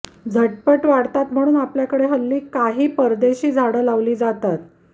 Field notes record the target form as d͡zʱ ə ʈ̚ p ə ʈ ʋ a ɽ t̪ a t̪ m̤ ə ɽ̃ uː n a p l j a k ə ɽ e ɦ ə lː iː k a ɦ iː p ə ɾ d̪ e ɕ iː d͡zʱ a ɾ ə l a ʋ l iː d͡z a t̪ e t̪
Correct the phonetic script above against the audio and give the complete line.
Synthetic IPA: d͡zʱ ə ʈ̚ p ə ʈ ʋ a ɽ t̪ a t̪ m̤ ə ɽ̃ uː n a p l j a k ə ɽ e ɦ ə lː iː k a ɦ iː p ə ɾ d̪ e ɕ iː d͡zʱ a ɽ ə l a ʋ l iː d͡z a t̪ a t̪

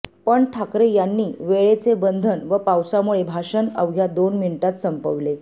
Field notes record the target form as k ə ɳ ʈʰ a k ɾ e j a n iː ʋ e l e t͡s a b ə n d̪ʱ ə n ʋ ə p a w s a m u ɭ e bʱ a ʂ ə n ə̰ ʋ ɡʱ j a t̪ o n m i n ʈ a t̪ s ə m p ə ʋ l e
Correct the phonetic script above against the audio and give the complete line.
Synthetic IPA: p ə ɳ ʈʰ a k ɾ e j a nː iː ʋ e ɭ e t͡s e b ə n d̪ʱ ə n ʋ ə p a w s a m u ɭ e bʱ a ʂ ə n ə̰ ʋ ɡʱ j a d̪ o n m i n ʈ a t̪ s ə m p ə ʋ l e

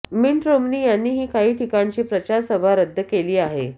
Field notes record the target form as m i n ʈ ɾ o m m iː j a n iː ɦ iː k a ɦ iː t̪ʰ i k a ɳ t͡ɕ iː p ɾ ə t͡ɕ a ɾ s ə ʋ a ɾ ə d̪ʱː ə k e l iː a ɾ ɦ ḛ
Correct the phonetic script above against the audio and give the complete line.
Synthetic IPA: m i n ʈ ɾ o m n iː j a nː iː ɦ iː k a ɦ iː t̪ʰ i k a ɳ t͡ɕ iː p ɾ ə t͡ɕ a ɾ s ə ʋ a ɾ ə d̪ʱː ə k e l iː a ɦ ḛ

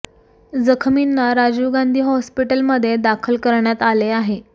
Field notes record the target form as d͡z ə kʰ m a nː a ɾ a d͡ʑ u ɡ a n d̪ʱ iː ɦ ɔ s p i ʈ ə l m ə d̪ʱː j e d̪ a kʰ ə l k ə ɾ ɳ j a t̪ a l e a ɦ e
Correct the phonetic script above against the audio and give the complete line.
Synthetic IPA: d͡z ə kʰ m i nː a ɾ a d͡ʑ u ɡ a n d̪ʱ iː ɦ ɔ s p i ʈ ə l m ə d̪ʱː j e d̪ a kʰ ə l k ə ɾ ɳ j a t̪ a l e a ɦ e

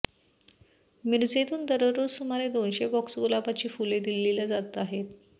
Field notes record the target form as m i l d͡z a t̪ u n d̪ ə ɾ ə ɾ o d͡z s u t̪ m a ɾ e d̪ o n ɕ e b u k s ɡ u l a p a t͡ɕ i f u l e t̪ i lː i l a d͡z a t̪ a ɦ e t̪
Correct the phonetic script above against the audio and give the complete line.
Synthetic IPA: m i ɾ d͡z e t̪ uː n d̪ ə ɾ ə ɾ o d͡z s u m a ɾ e d̪ o n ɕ e b ɔ k s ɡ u l a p a t͡ɕ iː f u l e d̪ i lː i l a d͡z a t̪ a ɦ e t̪

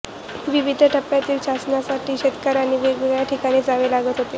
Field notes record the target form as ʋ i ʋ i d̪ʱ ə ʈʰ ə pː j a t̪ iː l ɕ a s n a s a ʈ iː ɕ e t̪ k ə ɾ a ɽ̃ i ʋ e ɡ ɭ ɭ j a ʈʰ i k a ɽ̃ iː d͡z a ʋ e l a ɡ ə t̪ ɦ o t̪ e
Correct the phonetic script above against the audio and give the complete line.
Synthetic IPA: ʋ i ʋ i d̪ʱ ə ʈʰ ə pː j a t̪ iː l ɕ a s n a s a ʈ iː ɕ e t̪ k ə ɾ a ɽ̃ i ʋ e ɡ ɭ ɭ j a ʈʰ i k a ɽ̃ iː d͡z a ʋ e l a ɡ ə t̪ ɦ o t̪ e

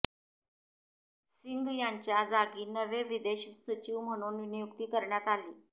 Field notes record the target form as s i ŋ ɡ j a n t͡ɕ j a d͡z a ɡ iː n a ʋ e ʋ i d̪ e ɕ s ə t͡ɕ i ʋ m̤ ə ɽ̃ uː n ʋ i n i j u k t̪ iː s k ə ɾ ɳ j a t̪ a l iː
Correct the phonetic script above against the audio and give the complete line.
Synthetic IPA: s i ŋ ɡ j a ɲ t͡ɕ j a d͡z a ɡ iː n ə ʋ e ʋ i d̪ e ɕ s ə t͡ɕ i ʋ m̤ ə ɽ̃ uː n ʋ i n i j u k t̪ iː k ə ɾ ɳ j a t̪ a l iː

